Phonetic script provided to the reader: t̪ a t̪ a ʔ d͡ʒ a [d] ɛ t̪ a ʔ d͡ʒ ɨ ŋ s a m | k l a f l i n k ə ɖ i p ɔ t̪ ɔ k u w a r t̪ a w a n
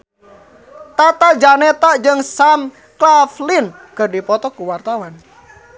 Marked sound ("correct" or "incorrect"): incorrect